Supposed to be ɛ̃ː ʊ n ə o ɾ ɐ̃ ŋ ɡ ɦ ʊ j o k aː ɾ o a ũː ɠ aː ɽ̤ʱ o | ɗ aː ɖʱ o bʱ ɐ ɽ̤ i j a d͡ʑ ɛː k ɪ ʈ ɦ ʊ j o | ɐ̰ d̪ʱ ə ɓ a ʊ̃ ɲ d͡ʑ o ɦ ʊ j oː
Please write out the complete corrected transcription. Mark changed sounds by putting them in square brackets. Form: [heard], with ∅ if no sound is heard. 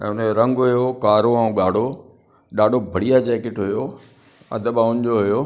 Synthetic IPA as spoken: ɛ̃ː ʊ n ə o ɾ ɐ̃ ŋ ɡ ɦ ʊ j o k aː ɾ o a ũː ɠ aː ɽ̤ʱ o | ɗ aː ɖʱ o bʱ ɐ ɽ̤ i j a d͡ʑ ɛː k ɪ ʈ ɦ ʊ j o | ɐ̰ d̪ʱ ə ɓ a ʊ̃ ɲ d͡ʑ o ɦ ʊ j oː